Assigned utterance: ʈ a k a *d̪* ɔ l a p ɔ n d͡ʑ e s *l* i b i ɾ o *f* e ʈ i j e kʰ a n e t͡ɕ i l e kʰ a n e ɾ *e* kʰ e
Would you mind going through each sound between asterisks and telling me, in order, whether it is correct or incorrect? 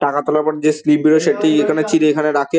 incorrect, correct, incorrect, incorrect

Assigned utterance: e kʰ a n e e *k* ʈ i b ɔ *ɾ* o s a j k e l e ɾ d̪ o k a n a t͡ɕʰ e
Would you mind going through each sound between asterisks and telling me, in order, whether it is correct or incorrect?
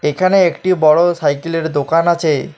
correct, incorrect

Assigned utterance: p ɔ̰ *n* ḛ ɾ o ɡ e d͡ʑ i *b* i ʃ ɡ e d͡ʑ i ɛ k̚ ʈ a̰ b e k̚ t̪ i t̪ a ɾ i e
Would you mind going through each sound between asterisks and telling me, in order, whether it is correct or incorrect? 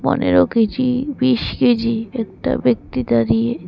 correct, correct

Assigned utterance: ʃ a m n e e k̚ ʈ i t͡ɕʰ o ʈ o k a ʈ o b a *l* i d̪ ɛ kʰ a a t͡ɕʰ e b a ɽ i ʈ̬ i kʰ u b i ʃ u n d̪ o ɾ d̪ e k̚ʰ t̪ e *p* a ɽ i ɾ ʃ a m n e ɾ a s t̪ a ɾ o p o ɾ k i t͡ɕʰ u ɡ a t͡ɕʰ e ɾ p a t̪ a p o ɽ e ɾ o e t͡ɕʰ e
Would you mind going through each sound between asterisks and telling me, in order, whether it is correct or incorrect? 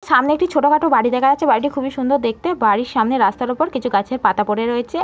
incorrect, incorrect

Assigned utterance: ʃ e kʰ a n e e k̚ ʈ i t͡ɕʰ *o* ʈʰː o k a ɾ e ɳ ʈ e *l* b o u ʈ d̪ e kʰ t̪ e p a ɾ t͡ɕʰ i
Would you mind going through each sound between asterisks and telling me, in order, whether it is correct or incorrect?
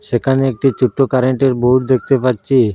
incorrect, incorrect

